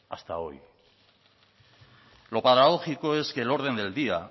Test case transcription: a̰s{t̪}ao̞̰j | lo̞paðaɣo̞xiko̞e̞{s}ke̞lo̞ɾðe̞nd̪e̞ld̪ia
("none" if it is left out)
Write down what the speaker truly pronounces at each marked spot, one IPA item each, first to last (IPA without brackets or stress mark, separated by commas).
t̪, s